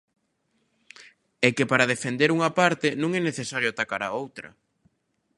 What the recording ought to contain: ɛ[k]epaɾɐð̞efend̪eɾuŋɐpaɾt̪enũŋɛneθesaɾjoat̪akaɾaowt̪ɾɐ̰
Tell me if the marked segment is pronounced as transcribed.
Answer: yes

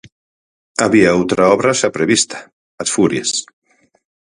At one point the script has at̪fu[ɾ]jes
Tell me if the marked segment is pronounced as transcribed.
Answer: yes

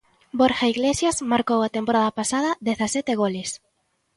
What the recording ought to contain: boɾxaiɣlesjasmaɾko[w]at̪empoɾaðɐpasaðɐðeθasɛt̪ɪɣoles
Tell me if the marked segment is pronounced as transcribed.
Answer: yes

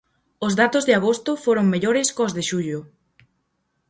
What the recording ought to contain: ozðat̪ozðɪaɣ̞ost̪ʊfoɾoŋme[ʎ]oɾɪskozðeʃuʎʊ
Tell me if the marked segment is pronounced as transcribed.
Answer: yes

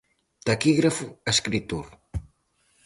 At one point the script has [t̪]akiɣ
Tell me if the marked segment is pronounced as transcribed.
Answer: yes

